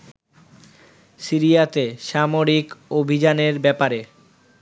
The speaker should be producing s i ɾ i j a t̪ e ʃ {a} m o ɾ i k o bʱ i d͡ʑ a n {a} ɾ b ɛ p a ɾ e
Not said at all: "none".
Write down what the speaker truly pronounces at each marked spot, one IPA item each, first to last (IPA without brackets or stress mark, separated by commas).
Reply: a, e